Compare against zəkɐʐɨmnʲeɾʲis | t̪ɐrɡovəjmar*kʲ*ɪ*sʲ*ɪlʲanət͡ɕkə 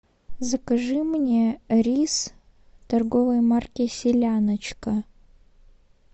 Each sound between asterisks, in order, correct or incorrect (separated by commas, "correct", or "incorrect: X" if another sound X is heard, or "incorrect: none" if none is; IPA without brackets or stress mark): correct, correct